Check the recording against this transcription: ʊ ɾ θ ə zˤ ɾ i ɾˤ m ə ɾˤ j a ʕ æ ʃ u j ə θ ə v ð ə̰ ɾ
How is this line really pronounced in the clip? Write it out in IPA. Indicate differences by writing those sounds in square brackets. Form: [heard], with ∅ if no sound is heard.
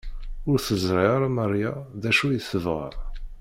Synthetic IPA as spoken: ʊ ɾ θ ə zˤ ɾ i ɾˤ m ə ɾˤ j a [ð] æ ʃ u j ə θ ə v [ʁ] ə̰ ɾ